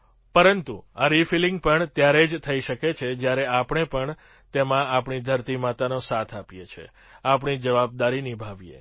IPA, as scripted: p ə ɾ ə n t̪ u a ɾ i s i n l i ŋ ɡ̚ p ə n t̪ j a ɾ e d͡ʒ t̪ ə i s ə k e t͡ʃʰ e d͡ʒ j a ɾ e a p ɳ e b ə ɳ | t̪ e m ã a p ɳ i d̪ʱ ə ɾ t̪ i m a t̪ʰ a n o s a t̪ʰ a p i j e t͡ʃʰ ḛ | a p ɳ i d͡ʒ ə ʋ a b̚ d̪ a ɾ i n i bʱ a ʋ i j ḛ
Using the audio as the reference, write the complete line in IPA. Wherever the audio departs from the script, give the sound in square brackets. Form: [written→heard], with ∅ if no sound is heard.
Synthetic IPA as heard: p ə ɾ ə n t̪ u a ɾ i [s→f] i [n→∅] l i ŋ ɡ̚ p ə [n→ɳ] t̪ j a ɾ e d͡ʒ [t̪→t̪ʰ] ə i [s→ʃ] ə k e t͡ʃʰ e d͡ʒ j a ɾ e a p ɳ e [b→p] ə ɳ | t̪ e m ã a p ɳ i d̪ʱ ə ɾ t̪ i m a [t̪ʰ→t̪] a n o s a t̪ʰ a p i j e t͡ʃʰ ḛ | a p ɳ i d͡ʒ ə ʋ a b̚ d̪ a ɾ i n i bʱ a ʋ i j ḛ